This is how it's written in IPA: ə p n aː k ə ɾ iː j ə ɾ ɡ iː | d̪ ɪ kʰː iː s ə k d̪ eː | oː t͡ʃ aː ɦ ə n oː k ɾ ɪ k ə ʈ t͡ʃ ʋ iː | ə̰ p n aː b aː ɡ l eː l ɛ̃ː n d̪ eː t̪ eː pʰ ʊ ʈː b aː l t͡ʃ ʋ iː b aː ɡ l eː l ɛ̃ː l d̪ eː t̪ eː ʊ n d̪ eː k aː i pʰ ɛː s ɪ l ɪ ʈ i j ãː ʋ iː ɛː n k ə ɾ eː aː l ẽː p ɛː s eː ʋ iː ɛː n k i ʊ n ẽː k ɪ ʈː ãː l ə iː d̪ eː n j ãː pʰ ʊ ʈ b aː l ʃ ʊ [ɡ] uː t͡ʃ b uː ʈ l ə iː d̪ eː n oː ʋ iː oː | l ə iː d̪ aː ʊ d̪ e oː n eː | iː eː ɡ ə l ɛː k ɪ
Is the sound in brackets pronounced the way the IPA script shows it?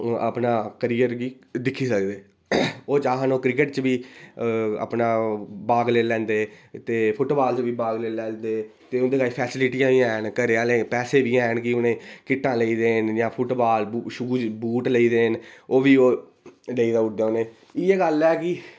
yes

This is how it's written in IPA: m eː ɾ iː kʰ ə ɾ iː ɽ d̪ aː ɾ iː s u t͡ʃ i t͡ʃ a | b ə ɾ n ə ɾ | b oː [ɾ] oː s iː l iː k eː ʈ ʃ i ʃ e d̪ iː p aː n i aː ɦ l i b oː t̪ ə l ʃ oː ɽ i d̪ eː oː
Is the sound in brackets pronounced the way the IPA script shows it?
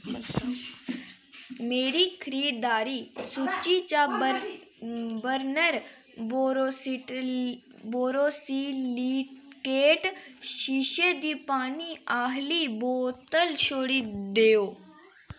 yes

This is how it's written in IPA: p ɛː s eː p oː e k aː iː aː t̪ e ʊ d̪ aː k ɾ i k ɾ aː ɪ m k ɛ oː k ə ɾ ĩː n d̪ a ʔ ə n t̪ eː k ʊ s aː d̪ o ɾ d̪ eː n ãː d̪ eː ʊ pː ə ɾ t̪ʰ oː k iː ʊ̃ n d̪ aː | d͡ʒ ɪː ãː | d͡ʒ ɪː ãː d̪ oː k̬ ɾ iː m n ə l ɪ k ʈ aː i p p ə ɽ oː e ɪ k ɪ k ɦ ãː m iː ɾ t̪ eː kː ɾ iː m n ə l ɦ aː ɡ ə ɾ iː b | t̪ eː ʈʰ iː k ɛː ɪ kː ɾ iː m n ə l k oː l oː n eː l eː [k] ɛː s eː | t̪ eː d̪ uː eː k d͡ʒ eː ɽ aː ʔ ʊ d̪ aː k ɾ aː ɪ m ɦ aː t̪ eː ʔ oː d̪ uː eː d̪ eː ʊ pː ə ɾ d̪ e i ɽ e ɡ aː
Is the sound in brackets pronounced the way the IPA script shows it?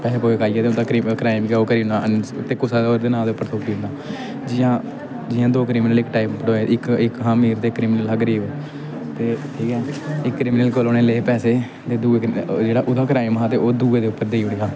no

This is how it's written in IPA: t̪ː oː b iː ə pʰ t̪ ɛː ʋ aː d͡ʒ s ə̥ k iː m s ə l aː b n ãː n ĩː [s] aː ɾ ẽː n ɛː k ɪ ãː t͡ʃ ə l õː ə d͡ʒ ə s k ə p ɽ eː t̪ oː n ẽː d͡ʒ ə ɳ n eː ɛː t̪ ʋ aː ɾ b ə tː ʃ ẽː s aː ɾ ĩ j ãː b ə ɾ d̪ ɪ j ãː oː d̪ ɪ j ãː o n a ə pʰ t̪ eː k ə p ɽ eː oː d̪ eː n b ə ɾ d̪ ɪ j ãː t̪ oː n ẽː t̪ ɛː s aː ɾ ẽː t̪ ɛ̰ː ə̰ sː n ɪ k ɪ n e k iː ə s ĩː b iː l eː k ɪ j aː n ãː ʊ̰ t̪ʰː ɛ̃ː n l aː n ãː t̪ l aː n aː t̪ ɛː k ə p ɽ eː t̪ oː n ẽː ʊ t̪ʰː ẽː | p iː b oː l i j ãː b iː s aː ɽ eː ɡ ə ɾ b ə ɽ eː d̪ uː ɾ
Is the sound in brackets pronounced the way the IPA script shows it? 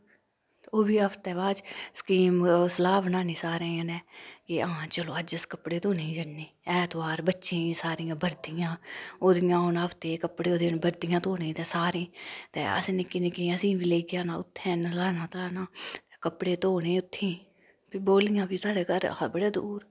yes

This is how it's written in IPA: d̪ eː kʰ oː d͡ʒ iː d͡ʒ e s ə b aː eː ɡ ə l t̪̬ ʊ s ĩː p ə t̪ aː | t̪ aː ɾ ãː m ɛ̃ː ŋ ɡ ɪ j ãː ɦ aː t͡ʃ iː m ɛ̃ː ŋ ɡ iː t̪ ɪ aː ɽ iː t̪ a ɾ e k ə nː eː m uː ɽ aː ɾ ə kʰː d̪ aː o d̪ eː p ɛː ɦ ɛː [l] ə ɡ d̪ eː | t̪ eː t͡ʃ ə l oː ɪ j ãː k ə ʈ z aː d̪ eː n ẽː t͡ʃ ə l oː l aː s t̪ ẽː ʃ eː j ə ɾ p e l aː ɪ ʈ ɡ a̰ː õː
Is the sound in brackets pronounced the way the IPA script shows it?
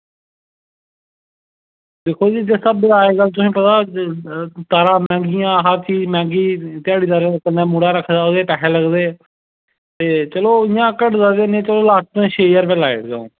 yes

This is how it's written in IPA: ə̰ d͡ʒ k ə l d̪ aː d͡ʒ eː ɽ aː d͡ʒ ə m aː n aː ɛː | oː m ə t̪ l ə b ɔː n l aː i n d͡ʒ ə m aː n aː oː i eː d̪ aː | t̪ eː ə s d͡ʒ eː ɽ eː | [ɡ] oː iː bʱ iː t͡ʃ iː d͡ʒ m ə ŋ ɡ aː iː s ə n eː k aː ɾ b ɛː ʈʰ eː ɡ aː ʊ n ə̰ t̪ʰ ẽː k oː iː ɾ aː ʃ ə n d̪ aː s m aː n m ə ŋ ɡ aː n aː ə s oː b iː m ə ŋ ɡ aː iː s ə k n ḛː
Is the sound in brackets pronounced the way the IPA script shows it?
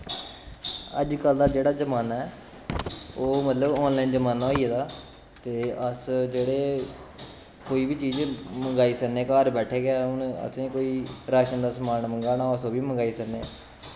no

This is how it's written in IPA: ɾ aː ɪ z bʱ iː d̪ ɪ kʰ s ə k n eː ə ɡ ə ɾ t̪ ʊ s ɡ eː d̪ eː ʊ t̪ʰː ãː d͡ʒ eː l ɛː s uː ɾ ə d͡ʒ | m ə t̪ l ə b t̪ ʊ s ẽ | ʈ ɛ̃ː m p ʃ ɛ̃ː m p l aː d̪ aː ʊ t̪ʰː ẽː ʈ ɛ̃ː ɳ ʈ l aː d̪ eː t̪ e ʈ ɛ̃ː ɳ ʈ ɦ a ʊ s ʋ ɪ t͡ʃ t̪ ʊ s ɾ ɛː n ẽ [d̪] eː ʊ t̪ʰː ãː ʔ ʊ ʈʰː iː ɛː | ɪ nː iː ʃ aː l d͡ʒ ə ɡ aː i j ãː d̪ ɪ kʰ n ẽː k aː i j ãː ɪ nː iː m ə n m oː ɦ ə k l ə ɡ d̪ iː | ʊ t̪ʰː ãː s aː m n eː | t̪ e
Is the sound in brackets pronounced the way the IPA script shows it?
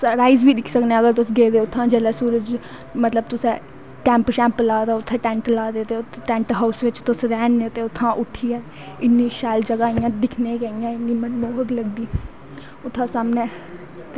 no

